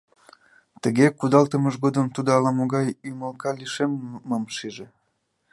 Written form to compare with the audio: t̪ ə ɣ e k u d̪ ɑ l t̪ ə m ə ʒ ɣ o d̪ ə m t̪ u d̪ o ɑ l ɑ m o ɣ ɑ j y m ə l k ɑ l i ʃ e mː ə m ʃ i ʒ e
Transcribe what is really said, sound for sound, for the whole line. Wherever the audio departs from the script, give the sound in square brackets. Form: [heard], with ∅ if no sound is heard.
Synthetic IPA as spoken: t̪ ə ɣ e k u d̪ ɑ l t̪ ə m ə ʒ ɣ o d̪ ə m t̪ u d̪ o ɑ l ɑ m o ɣ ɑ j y m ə l k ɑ l i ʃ e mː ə m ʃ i ʒ e